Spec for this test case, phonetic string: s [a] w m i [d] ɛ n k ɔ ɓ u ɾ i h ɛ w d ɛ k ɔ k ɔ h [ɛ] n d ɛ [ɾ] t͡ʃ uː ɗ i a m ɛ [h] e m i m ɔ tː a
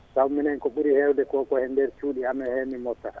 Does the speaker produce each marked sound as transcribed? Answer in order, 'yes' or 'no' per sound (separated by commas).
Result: yes, no, yes, yes, yes